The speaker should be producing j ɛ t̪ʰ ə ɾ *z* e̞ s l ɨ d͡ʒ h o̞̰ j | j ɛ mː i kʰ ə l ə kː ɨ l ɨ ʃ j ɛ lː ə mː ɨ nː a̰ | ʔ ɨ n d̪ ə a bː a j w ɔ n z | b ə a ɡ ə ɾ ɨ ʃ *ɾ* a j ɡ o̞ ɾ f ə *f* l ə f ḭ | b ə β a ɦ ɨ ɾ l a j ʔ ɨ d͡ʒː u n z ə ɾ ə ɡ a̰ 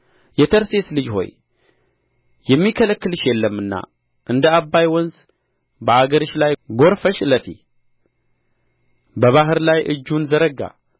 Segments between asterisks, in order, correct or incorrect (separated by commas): incorrect, incorrect, incorrect